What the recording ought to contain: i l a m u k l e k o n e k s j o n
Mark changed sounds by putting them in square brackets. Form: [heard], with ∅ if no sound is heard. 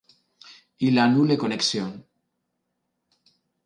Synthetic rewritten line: i l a [n] u [∅] l e k o n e k s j o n

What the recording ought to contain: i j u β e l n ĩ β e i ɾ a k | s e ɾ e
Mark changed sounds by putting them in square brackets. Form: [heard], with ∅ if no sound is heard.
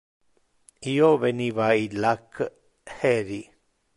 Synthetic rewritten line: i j [o] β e [∅] n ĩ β [a] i [l] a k | [h] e ɾ [i]

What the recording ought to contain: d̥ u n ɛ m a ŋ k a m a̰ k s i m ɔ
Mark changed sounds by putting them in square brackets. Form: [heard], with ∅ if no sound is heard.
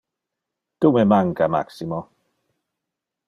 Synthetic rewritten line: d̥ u [m] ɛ m a ŋ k a m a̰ k s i m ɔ

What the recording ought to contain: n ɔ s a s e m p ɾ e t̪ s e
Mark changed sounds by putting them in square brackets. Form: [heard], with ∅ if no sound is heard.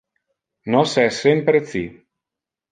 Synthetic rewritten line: n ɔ s [ɛ] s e m p ɾ e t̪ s [i]

